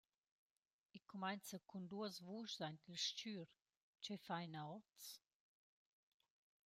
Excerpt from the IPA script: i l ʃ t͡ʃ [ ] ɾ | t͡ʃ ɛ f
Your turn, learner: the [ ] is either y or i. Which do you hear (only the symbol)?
y